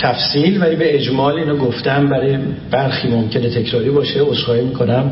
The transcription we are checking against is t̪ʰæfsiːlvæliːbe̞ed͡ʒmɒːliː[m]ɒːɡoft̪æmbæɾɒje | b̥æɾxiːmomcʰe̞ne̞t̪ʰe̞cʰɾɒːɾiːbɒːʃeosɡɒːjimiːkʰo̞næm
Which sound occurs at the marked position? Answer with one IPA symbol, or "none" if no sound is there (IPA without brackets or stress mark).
n